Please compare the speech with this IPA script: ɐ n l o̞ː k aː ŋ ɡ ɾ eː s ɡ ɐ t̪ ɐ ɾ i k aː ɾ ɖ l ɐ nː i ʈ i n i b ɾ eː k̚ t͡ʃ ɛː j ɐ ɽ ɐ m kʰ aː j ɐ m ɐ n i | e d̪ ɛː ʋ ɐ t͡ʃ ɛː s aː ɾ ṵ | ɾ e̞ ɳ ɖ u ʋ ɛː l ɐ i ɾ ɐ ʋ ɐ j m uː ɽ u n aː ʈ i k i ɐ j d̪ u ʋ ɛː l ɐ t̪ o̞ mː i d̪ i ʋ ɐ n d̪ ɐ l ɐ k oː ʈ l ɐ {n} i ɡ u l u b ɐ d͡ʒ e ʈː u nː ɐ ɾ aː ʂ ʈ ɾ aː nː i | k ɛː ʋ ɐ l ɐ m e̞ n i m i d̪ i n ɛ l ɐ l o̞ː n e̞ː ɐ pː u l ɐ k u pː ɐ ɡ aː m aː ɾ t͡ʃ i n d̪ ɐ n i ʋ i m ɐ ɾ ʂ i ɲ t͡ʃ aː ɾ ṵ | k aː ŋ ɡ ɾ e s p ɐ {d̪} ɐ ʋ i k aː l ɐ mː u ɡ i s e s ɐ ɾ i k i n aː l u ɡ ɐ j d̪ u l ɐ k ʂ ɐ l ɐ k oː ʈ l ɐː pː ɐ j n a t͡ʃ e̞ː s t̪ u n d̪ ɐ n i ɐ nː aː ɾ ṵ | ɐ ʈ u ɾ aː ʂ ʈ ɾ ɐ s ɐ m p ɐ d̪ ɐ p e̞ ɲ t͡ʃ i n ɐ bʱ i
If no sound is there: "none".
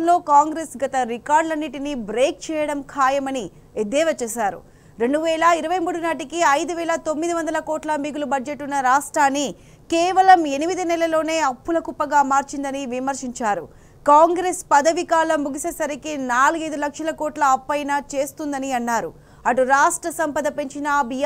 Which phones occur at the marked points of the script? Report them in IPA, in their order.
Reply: m, d̪

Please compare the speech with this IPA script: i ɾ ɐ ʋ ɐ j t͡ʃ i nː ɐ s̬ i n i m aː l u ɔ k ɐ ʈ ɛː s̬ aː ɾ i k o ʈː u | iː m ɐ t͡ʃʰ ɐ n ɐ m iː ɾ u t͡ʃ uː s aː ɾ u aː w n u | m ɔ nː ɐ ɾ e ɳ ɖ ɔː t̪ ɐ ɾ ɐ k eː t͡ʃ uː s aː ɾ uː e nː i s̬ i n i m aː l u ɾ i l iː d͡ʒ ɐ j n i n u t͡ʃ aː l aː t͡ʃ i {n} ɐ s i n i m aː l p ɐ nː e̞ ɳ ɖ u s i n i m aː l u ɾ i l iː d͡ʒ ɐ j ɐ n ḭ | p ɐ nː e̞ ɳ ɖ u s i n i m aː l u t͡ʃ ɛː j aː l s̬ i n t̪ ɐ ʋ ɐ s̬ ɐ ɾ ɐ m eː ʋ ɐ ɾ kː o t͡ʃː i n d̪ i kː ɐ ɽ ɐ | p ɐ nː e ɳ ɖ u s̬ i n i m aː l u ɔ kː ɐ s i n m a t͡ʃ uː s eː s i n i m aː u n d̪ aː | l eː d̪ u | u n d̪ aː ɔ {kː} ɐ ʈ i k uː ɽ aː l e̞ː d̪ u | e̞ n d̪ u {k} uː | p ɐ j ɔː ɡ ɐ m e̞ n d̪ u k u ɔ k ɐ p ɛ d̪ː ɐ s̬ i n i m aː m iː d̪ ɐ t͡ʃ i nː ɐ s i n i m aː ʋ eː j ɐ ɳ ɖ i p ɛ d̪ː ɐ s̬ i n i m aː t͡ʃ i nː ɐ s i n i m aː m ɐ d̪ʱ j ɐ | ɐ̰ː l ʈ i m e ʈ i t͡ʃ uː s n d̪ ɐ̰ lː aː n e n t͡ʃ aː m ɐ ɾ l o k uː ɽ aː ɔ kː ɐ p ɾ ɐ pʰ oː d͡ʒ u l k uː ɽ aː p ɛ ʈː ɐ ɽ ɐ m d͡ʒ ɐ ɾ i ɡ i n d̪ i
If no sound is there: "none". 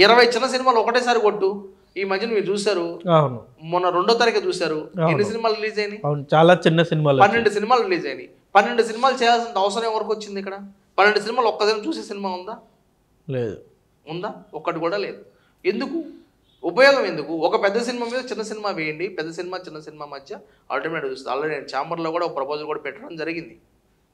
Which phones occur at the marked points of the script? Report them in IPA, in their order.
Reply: nː, kː, k

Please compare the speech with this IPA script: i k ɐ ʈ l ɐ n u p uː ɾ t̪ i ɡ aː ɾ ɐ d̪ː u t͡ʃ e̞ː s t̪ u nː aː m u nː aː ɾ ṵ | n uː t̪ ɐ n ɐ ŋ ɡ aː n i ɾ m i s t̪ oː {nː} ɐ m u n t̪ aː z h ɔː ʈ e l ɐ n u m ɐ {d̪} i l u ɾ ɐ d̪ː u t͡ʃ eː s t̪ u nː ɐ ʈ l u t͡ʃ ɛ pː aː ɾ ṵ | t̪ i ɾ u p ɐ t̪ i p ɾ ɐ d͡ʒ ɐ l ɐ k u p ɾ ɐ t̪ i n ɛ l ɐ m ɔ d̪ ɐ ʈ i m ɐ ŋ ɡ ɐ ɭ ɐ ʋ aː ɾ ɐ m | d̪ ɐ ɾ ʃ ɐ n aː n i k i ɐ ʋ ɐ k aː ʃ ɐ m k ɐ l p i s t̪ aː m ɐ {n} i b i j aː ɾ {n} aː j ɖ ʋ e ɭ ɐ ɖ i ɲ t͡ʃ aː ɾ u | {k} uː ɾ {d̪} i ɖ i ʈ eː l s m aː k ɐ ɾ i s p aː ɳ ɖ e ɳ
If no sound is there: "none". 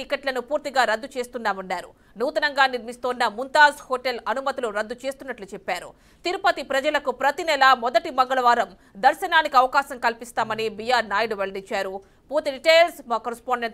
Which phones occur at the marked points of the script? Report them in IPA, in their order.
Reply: nː, t̪, n, n, p, t̪

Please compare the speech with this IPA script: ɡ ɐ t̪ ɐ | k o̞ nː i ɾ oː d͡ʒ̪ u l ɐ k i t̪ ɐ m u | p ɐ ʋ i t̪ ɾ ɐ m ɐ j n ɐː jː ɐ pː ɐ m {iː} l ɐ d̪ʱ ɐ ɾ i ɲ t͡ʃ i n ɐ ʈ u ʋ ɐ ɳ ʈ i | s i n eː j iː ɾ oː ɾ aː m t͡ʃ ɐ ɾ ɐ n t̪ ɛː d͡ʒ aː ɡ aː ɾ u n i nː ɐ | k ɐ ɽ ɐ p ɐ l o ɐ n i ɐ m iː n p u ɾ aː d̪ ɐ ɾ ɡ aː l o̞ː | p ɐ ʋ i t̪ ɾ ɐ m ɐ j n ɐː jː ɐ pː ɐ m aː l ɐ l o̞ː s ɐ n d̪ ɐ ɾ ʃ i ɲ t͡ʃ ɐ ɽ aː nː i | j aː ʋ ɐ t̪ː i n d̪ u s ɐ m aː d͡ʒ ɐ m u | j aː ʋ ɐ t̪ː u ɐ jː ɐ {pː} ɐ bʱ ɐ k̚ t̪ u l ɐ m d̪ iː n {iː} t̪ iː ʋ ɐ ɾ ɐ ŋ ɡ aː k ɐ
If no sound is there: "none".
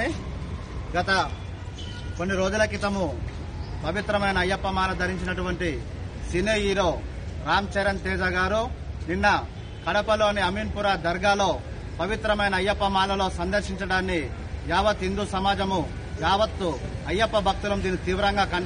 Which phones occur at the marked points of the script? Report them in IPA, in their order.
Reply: aː, pː, i

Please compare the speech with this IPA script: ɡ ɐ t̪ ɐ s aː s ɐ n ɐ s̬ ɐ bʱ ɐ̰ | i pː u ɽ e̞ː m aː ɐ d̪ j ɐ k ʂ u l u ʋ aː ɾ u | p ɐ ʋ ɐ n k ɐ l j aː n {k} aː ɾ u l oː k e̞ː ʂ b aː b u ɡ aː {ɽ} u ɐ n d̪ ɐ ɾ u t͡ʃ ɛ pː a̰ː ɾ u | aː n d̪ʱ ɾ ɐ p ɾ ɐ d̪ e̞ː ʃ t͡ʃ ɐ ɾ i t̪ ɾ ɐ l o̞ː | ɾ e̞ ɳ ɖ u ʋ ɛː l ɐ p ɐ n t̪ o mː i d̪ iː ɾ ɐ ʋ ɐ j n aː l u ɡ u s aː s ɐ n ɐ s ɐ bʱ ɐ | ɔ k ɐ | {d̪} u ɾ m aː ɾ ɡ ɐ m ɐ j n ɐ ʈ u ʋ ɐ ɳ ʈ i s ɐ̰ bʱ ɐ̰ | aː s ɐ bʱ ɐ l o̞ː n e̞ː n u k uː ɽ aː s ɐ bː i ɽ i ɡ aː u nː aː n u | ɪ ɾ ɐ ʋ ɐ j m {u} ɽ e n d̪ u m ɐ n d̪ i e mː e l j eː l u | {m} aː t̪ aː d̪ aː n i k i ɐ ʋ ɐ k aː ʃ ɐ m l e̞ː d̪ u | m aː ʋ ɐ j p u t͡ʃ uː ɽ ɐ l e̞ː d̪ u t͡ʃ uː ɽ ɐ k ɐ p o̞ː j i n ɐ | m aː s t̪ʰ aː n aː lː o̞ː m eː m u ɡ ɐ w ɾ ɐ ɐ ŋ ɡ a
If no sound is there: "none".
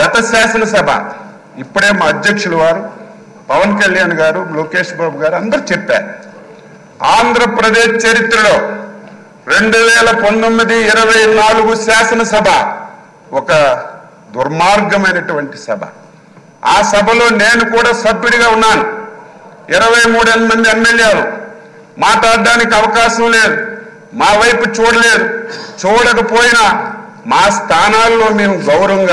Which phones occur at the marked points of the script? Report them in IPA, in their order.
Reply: ɡ, ɾ, d̪, uː, m

